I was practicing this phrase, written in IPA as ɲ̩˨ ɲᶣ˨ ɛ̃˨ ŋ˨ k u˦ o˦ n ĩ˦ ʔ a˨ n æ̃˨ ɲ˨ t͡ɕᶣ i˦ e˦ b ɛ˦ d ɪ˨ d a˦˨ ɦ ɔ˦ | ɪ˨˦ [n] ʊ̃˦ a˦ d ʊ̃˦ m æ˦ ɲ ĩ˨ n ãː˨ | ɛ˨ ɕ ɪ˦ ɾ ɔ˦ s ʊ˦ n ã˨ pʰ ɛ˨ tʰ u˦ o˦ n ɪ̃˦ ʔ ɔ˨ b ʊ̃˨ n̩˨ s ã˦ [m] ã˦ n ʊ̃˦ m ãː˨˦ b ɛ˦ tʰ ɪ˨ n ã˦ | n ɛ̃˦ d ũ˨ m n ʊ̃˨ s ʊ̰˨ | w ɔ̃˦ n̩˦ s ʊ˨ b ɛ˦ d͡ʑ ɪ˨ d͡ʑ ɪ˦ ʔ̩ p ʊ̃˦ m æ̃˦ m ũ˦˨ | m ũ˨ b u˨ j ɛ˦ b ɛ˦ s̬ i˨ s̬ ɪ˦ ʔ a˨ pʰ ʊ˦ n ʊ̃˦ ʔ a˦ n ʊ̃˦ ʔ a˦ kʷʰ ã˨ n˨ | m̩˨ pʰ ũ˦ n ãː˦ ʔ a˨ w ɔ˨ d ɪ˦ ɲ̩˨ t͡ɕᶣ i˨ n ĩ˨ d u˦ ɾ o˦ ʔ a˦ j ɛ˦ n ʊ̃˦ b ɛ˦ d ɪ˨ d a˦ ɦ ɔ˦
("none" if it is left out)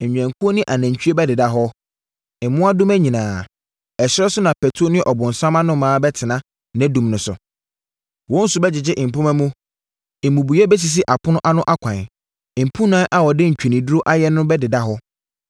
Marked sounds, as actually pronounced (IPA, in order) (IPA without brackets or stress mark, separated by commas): m, m